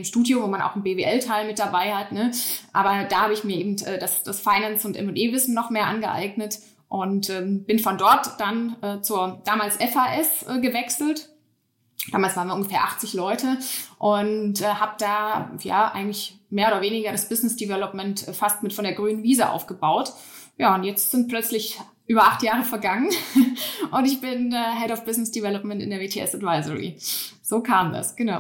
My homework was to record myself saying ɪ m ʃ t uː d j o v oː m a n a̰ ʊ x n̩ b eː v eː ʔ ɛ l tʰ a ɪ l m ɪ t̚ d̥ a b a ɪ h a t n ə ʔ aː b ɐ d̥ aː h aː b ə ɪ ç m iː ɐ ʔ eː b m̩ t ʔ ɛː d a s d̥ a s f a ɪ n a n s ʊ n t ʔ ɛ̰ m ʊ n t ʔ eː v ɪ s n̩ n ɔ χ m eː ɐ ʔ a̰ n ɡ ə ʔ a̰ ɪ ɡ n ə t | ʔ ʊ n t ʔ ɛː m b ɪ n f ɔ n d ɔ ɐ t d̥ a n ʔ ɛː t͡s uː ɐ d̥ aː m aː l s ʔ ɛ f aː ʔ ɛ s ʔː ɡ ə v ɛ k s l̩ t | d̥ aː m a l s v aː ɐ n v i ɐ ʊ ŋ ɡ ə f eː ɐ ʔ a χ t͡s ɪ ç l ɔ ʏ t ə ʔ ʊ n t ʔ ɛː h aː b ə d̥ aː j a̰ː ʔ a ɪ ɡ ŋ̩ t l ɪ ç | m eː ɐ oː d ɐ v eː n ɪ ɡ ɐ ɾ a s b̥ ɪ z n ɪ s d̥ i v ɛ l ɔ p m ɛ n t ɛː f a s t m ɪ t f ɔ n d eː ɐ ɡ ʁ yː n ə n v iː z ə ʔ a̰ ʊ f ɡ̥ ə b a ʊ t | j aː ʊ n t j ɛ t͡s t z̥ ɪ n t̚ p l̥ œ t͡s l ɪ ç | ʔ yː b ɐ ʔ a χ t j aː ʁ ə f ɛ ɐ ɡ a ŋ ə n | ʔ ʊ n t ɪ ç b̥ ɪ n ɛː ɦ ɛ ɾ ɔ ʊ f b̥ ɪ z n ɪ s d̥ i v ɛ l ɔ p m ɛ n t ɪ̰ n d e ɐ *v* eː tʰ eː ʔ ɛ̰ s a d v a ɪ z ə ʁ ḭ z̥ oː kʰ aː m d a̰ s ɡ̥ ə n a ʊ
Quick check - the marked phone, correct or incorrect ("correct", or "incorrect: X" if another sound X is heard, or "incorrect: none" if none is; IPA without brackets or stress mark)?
correct